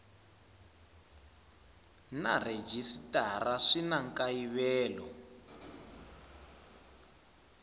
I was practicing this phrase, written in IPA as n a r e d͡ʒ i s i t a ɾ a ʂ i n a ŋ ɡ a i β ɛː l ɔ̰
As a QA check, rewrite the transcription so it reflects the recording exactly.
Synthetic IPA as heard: n a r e d͡ʒ i s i t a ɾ a ʂ i n a ŋ k a i β ɛː l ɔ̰